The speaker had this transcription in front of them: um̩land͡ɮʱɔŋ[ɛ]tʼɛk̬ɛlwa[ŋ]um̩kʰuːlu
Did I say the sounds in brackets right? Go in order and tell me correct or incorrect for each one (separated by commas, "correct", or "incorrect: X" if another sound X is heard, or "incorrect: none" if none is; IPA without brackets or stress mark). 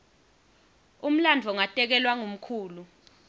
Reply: incorrect: a, correct